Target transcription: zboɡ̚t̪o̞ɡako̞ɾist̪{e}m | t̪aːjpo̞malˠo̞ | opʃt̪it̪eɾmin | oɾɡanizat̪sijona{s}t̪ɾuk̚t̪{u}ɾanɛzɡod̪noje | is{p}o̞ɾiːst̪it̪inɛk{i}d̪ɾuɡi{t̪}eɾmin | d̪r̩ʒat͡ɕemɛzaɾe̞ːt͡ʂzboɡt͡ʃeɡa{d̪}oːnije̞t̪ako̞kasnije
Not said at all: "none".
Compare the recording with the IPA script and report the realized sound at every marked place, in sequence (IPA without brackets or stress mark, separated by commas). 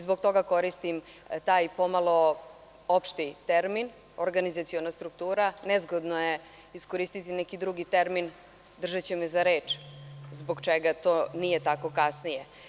i, s, uː, k, i, t̪, t̪